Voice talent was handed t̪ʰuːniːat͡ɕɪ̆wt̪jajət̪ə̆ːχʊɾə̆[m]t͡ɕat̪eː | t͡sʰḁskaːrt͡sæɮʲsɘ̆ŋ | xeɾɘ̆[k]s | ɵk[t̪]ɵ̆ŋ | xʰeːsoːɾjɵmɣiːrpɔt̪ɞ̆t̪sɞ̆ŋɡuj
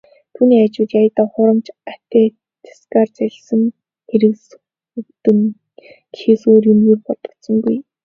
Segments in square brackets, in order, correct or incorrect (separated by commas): correct, correct, correct